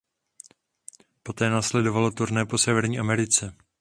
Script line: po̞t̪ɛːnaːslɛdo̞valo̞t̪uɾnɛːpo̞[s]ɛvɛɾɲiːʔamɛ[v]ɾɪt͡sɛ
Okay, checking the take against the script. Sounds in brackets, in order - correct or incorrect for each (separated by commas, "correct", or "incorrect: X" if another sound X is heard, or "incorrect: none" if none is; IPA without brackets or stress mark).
correct, incorrect: none